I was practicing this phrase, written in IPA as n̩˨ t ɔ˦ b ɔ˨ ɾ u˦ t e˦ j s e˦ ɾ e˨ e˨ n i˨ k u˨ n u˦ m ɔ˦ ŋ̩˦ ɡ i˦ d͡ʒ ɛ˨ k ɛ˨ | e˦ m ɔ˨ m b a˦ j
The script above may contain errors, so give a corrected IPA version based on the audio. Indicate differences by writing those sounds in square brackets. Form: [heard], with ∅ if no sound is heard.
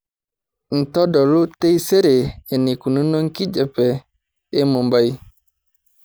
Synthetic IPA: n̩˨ t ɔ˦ [d] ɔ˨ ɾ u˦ t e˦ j s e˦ ɾ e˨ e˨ n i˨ k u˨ n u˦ [n] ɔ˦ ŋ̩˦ [k] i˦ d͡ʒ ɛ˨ [p] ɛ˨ | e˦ m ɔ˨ m b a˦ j